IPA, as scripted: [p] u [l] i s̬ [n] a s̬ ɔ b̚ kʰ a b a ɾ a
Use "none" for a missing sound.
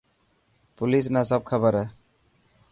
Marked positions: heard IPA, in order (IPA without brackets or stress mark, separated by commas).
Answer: p, l, n